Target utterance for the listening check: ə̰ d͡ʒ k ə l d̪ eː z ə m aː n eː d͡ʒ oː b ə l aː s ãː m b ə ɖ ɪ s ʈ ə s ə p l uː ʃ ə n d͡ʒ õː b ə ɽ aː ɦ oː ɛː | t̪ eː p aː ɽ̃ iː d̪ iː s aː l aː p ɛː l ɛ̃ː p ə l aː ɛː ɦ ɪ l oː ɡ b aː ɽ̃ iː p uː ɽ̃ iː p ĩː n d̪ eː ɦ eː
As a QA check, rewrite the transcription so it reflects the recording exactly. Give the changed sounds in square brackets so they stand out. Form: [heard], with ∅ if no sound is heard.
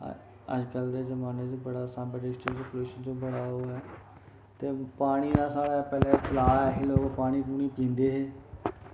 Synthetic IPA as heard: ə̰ d͡ʒ k ə l d̪ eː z ə m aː n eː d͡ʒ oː b ə [ɽ] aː s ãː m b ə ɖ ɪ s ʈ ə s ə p l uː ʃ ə n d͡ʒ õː b ə ɽ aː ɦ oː ɛː | t̪ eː p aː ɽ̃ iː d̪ [aː] s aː [ɽ] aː p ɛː l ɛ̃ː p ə l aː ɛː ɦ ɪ l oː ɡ [p] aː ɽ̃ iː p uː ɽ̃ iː p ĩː n d̪ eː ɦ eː